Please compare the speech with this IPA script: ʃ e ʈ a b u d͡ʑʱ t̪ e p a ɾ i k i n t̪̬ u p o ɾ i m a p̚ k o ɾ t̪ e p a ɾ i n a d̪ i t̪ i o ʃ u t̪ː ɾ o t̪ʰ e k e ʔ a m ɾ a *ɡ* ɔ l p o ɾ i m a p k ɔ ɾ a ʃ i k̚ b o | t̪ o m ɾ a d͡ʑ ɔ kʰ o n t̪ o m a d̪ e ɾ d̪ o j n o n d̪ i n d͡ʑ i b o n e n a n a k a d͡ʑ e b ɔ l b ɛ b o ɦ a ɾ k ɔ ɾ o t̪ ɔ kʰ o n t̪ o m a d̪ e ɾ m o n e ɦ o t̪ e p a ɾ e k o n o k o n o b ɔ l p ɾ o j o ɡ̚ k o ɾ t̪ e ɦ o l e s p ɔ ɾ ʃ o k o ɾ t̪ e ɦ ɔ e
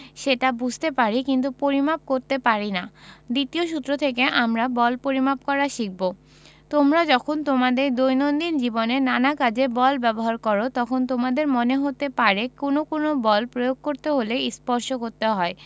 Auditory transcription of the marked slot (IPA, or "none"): b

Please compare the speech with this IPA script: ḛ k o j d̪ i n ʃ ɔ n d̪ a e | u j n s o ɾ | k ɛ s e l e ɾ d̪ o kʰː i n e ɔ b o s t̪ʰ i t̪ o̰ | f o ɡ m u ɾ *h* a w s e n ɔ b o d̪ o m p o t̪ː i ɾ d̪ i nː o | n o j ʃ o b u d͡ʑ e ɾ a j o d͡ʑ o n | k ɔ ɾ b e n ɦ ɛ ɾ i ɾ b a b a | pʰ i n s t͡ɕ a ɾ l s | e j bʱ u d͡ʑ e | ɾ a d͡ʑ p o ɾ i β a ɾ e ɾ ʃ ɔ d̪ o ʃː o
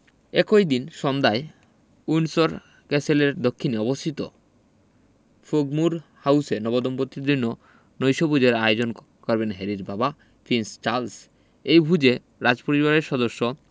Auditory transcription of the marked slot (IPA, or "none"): h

